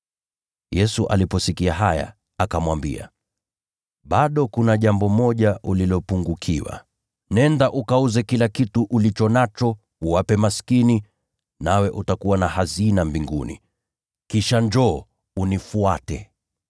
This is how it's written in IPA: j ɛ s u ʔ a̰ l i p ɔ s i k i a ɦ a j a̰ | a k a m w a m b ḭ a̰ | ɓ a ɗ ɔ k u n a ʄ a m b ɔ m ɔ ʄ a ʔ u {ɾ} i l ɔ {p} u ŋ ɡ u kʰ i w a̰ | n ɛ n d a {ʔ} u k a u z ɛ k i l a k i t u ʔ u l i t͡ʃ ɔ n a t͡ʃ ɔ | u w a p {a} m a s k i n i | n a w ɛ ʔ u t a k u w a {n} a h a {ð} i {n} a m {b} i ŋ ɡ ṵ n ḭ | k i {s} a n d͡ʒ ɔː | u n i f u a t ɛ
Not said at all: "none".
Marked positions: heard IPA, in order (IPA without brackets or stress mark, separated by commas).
l, p, ʔ, ɛ, n, z, n, b, ʃ